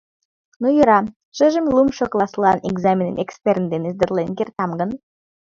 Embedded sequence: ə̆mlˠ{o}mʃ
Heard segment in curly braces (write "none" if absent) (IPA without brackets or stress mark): u